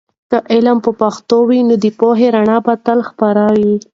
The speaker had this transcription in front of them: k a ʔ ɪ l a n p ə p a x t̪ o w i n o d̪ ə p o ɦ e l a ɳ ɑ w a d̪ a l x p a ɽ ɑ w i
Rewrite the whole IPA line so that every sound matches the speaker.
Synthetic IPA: k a ʔ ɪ l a m p ə p a x t̪ o w i n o d̪ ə p o ɦ e ɾ a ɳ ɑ b a t̪ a l x p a ɾ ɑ w i